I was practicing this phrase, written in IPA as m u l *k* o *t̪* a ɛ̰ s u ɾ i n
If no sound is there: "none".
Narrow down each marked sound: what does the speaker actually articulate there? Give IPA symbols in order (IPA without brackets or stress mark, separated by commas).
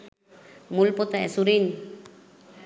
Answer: p, t̪